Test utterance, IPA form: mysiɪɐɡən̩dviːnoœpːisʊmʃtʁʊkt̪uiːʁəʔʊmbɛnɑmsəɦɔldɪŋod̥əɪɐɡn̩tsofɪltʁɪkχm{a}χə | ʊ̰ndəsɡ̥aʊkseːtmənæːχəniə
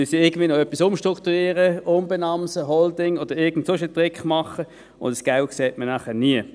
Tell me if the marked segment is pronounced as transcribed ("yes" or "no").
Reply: no